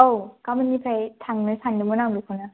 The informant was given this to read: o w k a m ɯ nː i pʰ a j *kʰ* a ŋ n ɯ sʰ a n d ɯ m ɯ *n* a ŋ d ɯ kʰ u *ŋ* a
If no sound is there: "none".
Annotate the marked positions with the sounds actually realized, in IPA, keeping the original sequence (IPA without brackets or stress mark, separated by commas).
tʰ, n, n